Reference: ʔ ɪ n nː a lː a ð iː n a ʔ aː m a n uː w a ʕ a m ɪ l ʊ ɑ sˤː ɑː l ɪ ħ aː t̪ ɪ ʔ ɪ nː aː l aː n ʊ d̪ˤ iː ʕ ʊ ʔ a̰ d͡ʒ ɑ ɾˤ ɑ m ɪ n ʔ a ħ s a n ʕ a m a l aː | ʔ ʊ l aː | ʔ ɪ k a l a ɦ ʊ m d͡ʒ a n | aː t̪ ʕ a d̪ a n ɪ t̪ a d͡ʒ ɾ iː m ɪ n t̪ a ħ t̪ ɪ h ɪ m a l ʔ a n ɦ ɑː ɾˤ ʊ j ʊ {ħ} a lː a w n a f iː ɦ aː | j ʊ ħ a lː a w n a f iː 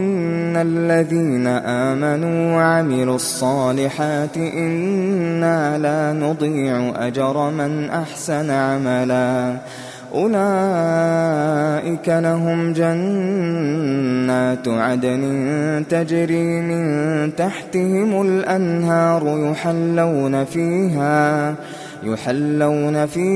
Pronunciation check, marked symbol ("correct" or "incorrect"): correct